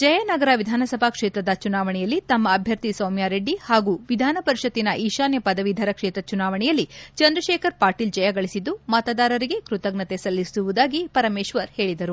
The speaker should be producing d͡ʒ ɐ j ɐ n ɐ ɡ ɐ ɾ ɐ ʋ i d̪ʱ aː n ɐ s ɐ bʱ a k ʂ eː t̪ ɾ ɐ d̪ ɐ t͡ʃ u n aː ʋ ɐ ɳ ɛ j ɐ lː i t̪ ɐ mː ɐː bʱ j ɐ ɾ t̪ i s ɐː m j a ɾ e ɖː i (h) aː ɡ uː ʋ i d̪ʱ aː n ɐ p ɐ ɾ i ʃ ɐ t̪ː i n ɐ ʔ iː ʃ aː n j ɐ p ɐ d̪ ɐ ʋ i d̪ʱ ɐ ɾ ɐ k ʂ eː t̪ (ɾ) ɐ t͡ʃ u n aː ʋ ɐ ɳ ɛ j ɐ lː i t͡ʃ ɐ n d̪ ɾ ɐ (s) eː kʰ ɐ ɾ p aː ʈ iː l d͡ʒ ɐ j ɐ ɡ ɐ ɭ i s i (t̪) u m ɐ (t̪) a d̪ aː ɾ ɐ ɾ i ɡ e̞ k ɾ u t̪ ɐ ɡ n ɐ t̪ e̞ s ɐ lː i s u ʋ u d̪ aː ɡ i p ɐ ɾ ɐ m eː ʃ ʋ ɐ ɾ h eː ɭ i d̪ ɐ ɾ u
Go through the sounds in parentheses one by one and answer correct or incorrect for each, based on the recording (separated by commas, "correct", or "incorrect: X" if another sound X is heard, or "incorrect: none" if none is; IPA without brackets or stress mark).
correct, correct, incorrect: ʃ, incorrect: d̪, correct